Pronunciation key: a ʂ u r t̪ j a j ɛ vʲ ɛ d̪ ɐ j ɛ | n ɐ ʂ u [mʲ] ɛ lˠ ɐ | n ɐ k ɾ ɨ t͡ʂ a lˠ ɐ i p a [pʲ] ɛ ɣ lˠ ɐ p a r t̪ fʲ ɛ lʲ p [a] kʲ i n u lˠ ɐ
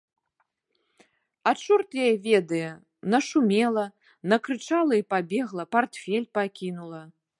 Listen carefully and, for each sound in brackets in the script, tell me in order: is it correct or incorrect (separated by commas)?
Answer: correct, incorrect, correct